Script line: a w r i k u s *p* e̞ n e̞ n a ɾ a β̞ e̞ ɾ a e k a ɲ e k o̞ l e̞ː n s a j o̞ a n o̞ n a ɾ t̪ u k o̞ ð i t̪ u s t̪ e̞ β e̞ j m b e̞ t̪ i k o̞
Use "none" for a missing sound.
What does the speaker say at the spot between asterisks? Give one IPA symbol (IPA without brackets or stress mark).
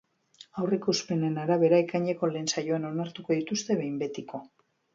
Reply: p